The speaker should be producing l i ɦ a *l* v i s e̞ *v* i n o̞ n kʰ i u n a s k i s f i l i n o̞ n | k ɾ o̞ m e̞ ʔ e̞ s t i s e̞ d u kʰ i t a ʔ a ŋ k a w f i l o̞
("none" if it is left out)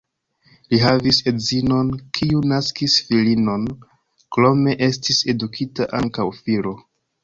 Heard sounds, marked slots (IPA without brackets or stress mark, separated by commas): none, z